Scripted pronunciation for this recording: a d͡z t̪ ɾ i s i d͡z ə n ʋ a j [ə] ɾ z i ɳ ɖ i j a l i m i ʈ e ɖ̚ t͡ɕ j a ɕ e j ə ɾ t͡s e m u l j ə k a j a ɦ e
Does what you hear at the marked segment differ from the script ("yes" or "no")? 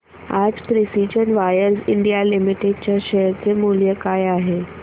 no